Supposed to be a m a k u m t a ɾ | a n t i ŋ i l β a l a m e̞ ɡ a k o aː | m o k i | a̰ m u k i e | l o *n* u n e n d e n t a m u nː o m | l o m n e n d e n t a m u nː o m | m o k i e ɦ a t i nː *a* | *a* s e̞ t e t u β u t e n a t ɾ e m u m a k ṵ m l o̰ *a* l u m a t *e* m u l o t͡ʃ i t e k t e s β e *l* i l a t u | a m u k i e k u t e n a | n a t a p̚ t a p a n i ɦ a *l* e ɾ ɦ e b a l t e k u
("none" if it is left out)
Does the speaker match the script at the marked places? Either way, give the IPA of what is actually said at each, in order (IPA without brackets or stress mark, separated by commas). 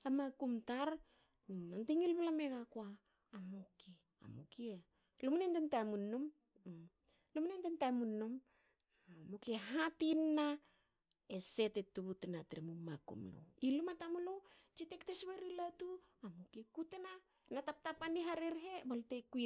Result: m, a, e, i, a, ɾ, ɾ